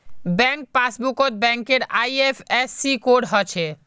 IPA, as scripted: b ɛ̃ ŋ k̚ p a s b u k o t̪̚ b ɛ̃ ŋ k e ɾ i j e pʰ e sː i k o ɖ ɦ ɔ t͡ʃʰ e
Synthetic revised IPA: b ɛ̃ ŋ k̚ p a s b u k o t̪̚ b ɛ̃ ŋ k e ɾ a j e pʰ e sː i k o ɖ ɦ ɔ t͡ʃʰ e